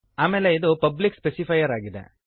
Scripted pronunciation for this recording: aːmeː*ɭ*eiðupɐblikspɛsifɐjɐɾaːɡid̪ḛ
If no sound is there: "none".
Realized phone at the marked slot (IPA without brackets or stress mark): l